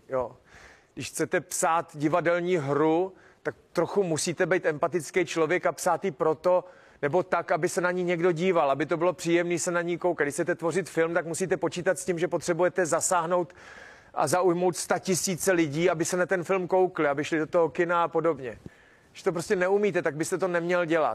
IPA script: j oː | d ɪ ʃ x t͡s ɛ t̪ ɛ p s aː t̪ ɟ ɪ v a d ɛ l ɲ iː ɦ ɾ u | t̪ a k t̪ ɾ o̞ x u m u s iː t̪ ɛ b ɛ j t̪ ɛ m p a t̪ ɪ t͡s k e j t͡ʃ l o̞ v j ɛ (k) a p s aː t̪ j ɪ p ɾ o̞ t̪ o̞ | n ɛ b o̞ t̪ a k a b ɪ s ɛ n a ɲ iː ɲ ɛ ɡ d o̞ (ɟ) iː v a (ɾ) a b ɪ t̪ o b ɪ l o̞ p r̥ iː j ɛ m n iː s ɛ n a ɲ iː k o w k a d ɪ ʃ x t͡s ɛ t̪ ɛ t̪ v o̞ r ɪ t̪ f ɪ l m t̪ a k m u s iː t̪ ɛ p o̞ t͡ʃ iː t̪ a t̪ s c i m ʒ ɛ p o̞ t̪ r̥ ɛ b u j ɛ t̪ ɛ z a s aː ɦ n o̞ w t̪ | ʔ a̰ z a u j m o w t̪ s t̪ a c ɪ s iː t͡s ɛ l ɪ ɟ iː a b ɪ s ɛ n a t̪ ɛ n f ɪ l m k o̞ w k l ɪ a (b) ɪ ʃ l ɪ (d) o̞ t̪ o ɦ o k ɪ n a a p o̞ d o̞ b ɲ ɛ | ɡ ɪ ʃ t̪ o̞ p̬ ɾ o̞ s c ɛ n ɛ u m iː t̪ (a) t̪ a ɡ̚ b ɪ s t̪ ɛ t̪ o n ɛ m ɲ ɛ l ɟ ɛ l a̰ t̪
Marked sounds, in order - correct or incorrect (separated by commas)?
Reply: correct, correct, incorrect, correct, correct, incorrect